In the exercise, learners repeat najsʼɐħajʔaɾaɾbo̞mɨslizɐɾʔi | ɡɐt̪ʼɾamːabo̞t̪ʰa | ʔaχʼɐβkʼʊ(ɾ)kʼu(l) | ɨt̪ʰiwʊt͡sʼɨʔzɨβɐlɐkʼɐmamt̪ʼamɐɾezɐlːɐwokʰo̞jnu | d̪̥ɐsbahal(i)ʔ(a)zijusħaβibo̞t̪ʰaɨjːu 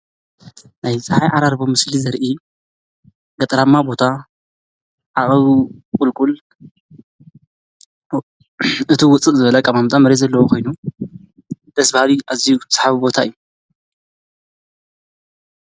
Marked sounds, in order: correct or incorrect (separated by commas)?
incorrect, correct, correct, correct